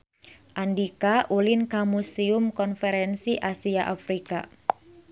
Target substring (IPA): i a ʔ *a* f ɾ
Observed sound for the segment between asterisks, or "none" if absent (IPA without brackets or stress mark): a